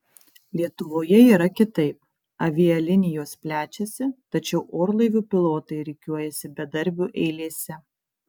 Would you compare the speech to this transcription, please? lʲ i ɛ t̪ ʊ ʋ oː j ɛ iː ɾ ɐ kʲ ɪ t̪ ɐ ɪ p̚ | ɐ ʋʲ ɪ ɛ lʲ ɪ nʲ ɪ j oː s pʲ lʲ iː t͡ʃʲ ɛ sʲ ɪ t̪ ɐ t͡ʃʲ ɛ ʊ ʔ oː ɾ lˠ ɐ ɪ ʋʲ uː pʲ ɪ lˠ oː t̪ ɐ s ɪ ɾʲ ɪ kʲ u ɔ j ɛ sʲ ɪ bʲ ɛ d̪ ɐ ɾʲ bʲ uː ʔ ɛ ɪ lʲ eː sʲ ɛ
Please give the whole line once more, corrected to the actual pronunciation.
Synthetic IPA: lʲ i ɛ t̪ ʊ ʋ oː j ɛ iː ɾ ɐ kʲ ɪ t̪ ɐ ɪ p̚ | ɐ ʋʲ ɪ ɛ lʲ ɪ nʲ ɪ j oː s pʲ lʲ æː t͡ʃʲ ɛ sʲ ɪ t̪ ɐ t͡ʃʲ ɛ ʊ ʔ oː ɾ lˠ ɐ ɪ ʋʲ uː pʲ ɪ lˠ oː t̪ ɐ ɪ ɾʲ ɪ kʲ u ɔ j ɛ sʲ ɪ bʲ ɛ d̪ ɐ ɾʲ bʲ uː ʔ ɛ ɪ lʲ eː sʲ ɛ